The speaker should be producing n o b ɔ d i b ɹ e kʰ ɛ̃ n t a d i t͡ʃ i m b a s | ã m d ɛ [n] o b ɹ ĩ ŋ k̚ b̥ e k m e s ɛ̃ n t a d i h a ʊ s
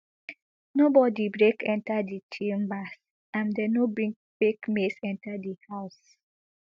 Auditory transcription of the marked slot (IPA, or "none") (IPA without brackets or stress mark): n